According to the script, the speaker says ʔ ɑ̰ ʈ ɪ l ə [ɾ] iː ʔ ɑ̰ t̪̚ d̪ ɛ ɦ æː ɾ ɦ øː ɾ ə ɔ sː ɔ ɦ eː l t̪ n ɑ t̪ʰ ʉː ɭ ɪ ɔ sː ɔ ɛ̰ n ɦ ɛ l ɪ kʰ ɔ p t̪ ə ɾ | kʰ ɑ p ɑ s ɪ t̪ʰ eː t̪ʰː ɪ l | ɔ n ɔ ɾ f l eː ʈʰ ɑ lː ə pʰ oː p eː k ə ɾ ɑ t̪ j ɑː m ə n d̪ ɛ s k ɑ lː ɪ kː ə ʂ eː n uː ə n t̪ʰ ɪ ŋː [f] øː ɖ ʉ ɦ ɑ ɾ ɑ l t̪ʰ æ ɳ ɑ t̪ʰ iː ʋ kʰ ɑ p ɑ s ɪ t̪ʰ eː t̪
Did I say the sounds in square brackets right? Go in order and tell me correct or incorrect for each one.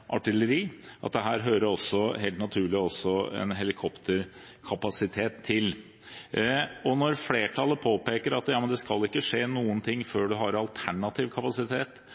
correct, correct

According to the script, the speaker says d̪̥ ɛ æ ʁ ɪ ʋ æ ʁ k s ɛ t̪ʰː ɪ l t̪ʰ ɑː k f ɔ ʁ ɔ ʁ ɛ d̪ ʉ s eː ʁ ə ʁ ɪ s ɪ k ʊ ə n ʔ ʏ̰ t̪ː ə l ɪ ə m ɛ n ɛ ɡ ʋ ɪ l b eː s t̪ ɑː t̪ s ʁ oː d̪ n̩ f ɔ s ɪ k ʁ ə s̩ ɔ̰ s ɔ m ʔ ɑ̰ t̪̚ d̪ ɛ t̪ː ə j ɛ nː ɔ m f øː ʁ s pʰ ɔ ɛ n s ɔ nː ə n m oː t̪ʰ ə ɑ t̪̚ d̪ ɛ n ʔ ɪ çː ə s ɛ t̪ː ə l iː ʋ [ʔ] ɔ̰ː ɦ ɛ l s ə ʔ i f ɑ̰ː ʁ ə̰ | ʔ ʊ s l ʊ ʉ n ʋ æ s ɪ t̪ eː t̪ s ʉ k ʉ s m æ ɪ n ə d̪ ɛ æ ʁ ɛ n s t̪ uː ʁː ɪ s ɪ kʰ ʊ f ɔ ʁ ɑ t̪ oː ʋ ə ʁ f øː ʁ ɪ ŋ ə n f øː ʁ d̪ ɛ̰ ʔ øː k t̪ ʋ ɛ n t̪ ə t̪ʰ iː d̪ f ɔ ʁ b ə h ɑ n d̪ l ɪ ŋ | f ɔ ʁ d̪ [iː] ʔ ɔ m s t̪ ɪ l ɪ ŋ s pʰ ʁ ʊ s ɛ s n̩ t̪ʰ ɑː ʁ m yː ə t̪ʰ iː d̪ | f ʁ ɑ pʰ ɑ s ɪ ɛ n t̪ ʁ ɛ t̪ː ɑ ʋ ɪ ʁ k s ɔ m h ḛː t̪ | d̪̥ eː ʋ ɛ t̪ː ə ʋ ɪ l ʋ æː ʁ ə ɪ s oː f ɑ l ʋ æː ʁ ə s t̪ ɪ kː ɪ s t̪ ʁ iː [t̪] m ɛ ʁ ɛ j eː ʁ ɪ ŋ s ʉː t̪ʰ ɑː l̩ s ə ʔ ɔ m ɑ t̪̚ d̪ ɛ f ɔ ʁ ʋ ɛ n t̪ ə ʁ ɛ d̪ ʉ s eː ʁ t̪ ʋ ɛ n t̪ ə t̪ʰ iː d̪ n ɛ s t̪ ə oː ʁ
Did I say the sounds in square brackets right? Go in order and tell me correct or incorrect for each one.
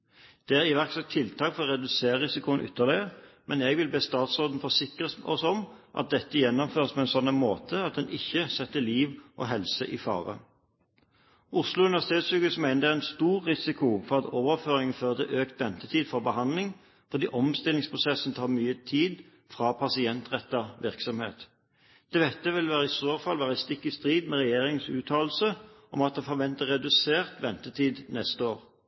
correct, correct, incorrect: d̪

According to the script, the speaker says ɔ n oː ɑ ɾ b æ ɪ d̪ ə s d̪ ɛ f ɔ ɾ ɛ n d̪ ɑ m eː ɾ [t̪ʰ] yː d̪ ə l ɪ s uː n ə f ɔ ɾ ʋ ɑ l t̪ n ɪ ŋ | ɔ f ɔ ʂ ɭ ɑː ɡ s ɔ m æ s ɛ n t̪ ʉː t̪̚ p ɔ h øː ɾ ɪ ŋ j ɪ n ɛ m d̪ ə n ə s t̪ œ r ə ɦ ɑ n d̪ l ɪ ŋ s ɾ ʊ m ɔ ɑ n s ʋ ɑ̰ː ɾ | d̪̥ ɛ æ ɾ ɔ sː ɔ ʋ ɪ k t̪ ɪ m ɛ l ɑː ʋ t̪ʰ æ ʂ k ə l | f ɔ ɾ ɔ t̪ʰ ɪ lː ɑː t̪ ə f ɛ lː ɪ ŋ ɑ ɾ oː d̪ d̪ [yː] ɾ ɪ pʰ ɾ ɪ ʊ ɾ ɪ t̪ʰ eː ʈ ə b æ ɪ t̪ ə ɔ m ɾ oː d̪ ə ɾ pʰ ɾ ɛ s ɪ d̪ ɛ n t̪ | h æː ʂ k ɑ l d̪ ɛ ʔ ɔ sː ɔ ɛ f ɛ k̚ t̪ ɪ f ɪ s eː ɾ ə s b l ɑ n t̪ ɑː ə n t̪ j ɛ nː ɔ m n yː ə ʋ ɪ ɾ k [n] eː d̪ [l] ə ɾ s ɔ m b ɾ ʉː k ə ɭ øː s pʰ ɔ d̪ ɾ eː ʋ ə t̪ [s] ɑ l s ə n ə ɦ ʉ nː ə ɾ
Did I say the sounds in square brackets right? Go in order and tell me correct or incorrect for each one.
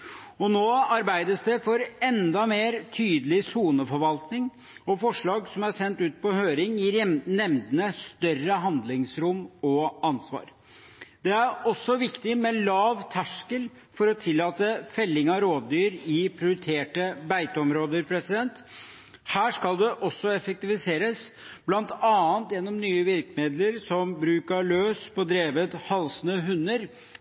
correct, correct, incorrect: m, correct, incorrect: h

